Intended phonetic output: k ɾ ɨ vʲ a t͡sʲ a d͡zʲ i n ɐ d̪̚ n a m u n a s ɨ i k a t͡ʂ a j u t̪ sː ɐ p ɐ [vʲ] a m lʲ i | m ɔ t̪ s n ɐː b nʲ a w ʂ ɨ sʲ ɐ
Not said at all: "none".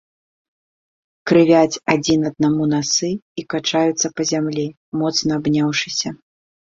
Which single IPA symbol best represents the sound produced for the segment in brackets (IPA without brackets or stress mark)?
zʲ